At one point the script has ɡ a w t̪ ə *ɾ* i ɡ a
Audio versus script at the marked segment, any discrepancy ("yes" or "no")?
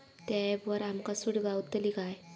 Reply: yes